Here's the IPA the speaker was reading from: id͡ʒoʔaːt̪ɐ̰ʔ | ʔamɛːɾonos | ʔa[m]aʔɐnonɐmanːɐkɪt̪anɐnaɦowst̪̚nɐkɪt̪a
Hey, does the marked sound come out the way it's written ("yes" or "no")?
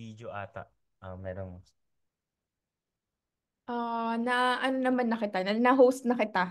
no